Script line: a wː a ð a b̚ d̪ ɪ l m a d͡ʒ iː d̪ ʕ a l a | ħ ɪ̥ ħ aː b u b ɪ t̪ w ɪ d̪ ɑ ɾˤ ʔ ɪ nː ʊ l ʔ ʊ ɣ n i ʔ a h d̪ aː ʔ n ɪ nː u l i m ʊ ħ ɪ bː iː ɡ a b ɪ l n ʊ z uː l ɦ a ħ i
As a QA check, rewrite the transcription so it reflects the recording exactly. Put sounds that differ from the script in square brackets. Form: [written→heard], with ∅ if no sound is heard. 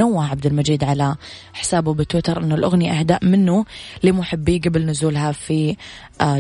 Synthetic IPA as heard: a wː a [ð→ʕ] a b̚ d̪ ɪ l m a d͡ʒ iː d̪ ʕ a l a | ħ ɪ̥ [ħ→s] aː b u b ɪ t̪ w ɪ [d̪→t̪] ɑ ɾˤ ʔ ɪ nː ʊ l ʔ ʊ ɣ n i ʔ a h d̪ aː ʔ [n→m] ɪ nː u l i m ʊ ħ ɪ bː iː ɡ a b ɪ l n ʊ z uː l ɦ a [ħ→f] i